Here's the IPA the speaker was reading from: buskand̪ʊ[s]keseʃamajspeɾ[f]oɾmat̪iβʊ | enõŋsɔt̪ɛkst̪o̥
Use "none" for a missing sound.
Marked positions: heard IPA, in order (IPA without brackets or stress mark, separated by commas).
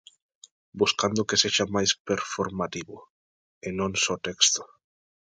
none, f